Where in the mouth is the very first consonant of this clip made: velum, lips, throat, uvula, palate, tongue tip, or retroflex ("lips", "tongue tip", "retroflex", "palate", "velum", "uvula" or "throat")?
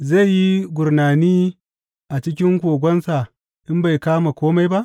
tongue tip